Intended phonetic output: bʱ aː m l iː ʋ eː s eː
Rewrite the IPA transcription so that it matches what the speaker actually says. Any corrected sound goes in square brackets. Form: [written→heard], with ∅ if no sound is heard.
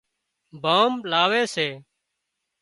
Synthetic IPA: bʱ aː m l [iː→aː] ʋ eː s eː